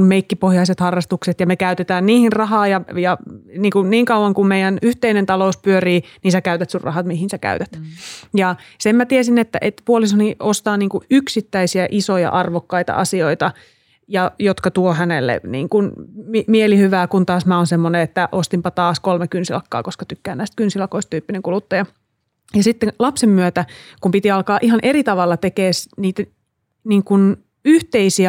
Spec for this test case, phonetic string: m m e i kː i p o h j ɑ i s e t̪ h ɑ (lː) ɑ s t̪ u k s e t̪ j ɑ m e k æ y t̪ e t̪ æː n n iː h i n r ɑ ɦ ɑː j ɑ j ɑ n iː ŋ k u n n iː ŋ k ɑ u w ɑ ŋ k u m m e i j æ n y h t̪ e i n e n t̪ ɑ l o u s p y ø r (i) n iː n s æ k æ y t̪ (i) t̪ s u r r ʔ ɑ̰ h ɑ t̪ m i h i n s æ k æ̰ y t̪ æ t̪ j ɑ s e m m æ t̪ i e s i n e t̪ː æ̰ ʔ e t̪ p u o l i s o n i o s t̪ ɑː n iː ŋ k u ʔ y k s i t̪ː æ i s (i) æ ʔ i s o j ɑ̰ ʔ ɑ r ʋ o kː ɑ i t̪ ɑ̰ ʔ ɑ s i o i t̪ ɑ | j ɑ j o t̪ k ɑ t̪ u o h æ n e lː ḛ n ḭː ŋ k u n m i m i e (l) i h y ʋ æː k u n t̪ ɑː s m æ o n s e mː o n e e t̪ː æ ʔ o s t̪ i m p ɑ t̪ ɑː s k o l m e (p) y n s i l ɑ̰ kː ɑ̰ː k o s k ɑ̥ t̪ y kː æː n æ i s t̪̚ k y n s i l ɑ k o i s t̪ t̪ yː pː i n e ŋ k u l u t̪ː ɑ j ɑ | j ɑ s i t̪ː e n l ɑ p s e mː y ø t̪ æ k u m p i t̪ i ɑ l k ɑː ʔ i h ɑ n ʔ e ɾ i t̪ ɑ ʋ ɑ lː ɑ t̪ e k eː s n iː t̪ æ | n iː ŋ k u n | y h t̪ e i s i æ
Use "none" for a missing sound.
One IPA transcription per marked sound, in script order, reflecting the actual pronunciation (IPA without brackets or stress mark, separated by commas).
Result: rː, iː, æ, i, l, k